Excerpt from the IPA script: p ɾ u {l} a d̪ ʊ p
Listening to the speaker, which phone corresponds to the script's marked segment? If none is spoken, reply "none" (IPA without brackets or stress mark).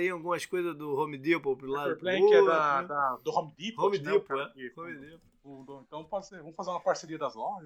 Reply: l